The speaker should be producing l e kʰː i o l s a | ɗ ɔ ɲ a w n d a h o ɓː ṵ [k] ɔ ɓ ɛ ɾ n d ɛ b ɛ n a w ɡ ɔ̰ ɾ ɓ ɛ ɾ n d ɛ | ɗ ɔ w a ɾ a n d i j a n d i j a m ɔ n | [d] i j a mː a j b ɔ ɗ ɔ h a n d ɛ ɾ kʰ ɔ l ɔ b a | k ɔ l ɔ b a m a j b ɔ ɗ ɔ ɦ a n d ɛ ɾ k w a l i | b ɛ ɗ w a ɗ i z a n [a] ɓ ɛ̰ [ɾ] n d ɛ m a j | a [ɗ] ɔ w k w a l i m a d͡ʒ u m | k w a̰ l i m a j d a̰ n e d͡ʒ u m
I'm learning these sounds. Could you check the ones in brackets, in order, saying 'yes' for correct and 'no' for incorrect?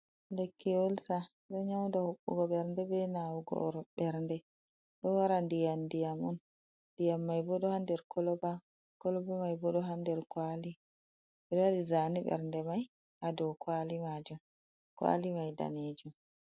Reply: no, yes, no, yes, no

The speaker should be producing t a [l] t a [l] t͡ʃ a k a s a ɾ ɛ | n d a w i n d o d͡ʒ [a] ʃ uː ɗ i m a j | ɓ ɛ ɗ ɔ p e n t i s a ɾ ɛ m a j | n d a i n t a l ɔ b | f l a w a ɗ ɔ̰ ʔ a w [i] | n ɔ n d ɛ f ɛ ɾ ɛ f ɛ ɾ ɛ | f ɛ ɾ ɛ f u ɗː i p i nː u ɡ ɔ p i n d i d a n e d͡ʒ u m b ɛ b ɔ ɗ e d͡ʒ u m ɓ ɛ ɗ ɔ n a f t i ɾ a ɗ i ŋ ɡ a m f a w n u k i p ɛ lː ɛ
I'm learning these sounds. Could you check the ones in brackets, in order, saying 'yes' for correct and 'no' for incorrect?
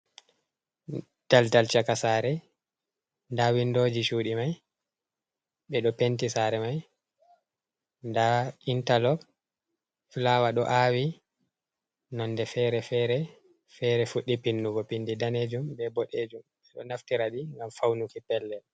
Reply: yes, yes, no, yes

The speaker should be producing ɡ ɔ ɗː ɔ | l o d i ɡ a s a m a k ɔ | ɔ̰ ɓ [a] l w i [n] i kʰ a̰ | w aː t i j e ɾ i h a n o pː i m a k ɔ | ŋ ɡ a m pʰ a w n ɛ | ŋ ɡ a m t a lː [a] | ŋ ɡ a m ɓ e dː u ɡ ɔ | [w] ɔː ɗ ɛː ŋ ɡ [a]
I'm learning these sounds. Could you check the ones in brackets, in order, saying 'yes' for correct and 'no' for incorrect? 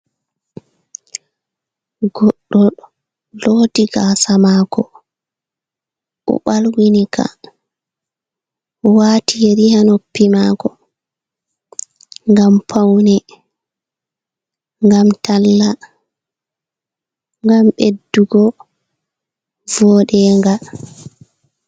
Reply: yes, yes, yes, no, yes

